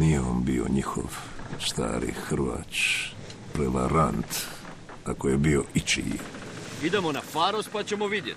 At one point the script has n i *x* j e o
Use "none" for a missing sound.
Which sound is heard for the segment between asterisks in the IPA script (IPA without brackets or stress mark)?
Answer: none